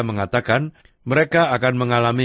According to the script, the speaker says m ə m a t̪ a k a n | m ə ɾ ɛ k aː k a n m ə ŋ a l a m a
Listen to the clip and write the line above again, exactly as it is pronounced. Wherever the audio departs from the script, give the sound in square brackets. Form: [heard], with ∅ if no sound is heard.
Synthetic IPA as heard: m ə [ŋ] a t̪ a k a n | m ə ɾ [e] k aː k a n m ə ŋ a l a m [i]